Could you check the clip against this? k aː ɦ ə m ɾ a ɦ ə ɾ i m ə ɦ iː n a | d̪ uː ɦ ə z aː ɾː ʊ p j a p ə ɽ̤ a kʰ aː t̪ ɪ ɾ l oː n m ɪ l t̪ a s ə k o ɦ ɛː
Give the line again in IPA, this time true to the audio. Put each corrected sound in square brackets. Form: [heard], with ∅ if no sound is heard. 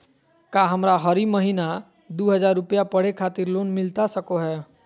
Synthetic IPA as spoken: k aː ɦ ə m ɾ a ɦ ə ɾ i m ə ɦ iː n a | d̪ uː ɦ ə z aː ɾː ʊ p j a p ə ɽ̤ [e] kʰ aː t̪ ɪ ɾ l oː n m ɪ l t̪ a s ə k o ɦ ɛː